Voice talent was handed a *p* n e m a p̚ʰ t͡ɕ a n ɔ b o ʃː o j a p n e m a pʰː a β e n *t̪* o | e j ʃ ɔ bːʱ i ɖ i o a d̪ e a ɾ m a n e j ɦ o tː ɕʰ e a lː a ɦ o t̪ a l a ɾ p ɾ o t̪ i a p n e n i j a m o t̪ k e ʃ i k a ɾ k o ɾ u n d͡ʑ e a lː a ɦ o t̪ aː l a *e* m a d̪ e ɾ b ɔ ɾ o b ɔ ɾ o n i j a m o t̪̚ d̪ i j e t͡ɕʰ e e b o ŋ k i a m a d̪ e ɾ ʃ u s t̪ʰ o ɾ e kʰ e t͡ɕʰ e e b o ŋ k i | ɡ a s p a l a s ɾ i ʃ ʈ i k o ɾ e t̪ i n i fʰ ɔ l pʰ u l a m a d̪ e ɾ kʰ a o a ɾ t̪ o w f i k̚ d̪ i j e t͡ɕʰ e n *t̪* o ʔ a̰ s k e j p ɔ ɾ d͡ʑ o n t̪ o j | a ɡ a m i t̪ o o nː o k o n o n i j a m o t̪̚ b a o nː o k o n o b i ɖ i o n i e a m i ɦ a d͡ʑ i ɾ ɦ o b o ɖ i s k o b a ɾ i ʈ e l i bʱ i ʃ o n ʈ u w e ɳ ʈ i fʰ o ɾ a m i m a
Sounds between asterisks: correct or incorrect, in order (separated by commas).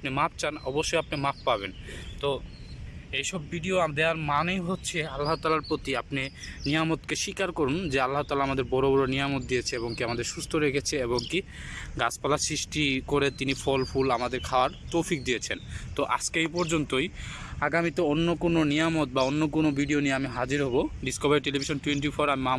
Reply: correct, correct, incorrect, correct